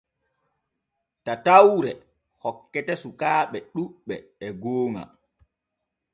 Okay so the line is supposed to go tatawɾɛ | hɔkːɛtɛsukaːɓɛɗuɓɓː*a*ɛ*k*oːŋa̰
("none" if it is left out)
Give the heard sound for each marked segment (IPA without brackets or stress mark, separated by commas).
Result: ɛ, ɡ